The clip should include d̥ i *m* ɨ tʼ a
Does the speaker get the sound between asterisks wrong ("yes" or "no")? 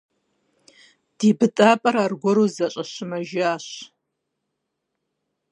yes